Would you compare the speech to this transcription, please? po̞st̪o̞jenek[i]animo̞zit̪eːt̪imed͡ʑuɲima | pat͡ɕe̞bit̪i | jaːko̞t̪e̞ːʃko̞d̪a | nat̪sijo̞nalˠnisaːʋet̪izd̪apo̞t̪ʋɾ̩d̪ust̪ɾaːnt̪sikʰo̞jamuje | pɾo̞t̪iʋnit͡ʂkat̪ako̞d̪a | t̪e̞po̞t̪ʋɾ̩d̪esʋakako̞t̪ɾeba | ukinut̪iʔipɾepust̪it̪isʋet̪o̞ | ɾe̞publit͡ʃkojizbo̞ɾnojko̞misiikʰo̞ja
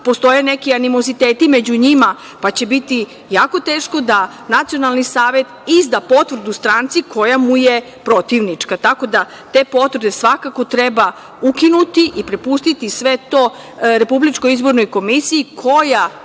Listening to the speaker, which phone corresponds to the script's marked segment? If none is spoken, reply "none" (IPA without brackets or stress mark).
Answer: i